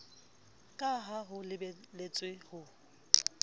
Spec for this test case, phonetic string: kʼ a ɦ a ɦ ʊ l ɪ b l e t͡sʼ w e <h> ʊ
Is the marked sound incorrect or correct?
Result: correct